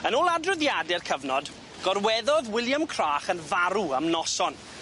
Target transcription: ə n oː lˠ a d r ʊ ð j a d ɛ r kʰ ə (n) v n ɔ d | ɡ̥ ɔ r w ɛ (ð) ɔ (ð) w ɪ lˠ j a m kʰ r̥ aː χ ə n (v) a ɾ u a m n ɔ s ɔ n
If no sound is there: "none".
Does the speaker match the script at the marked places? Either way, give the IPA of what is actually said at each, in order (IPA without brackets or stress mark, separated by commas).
none, ð, ð, v